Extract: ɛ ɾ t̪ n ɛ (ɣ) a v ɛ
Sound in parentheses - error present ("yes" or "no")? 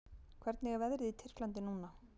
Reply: no